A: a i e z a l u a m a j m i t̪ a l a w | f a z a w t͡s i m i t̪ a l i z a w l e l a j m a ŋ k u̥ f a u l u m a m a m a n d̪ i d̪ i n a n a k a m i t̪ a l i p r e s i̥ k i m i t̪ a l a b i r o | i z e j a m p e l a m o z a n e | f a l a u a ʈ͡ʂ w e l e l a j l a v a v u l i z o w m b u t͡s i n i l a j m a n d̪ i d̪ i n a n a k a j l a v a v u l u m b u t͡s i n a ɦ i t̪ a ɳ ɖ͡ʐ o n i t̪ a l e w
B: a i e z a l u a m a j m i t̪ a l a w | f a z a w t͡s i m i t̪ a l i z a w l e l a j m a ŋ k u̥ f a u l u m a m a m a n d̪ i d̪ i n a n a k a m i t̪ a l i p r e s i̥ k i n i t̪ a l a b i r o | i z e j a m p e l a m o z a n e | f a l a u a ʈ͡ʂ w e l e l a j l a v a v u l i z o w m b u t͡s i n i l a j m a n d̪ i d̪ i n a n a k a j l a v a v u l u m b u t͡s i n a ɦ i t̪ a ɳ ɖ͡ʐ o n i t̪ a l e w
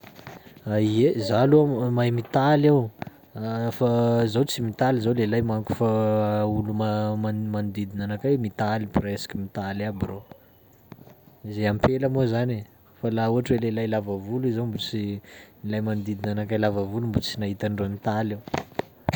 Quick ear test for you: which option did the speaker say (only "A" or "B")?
A